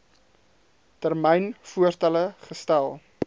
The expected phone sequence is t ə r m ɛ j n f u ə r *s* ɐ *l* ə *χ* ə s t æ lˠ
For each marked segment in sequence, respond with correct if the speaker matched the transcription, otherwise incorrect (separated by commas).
incorrect, correct, correct